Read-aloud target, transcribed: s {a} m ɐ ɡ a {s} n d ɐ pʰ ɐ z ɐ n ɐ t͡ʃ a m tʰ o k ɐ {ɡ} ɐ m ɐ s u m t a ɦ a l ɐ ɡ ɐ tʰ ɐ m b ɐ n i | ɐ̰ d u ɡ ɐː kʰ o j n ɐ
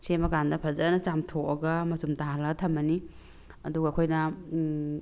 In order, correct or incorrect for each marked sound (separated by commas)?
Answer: incorrect, incorrect, correct